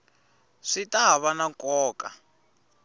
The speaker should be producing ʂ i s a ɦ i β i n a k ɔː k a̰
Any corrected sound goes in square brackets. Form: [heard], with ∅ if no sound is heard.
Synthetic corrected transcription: ʂ i [t] a ɦ [a] β [a] n a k ɔː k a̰